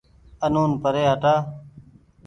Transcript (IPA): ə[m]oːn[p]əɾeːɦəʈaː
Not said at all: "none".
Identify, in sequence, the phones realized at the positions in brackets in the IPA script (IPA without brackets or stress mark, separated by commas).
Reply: n, p